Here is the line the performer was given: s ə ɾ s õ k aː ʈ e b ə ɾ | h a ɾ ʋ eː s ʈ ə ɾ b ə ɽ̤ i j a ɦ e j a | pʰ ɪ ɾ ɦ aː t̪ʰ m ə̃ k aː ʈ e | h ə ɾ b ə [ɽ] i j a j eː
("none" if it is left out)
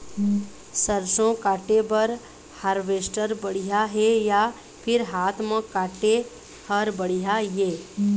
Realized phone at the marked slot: ɽ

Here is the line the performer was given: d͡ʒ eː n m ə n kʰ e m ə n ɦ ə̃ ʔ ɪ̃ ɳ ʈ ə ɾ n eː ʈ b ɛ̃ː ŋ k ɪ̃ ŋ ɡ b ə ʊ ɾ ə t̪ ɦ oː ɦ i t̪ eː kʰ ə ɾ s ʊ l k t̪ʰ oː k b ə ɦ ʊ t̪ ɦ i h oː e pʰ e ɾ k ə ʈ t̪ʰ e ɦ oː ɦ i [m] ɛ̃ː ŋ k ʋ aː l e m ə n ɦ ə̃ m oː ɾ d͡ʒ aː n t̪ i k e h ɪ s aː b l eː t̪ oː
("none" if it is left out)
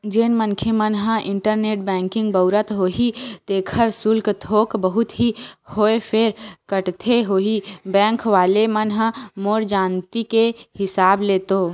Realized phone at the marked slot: b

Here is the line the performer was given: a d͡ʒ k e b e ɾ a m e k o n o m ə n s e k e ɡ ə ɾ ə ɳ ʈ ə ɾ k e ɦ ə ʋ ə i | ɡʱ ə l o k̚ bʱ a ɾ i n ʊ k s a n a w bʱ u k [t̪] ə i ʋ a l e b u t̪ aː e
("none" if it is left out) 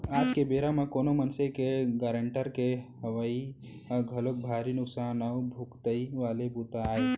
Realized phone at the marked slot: t̪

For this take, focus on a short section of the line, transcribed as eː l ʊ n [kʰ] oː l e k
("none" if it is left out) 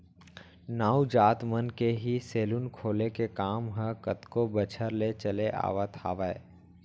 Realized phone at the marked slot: kʰ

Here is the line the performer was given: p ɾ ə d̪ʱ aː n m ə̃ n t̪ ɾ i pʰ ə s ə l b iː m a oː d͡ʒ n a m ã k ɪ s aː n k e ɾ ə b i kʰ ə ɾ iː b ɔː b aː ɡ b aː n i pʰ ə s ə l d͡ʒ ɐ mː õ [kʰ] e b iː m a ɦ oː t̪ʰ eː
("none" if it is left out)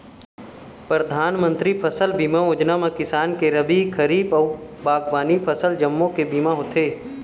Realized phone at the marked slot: k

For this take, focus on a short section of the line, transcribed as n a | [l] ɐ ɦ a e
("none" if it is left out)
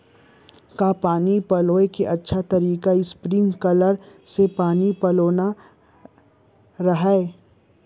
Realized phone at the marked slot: ɾ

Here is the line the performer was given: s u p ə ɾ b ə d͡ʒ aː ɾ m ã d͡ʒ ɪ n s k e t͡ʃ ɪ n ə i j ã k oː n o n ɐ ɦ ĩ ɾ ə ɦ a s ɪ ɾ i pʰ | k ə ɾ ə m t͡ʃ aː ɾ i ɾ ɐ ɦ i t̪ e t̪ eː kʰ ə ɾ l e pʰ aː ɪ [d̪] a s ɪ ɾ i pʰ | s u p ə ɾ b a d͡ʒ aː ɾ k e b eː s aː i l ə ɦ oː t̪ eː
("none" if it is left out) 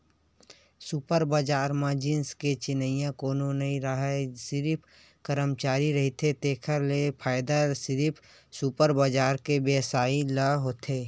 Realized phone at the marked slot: d̪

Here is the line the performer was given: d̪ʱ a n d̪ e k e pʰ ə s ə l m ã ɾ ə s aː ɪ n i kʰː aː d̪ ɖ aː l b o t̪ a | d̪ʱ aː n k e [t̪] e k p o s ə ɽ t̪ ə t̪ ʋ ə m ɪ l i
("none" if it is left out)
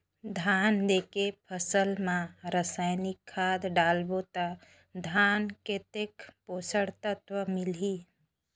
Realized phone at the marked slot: t̪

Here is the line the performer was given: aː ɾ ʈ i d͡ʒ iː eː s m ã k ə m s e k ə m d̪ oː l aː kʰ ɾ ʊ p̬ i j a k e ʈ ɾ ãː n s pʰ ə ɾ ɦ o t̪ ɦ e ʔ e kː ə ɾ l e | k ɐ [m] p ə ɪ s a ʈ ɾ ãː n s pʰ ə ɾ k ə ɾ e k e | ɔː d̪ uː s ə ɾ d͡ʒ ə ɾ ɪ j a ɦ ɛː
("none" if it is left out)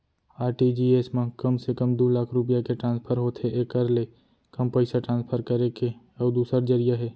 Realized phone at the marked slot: m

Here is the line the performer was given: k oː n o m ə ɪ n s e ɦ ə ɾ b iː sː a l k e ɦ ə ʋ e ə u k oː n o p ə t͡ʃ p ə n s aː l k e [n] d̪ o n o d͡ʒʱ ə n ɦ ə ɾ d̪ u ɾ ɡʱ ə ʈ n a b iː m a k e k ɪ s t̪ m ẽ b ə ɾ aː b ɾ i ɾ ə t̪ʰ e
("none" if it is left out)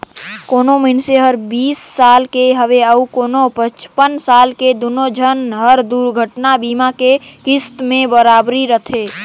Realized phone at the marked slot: none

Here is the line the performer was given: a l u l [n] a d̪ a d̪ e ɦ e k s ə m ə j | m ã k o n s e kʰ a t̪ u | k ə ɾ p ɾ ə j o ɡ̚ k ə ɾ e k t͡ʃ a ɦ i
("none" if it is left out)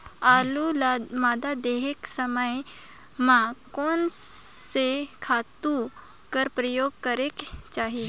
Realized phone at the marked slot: m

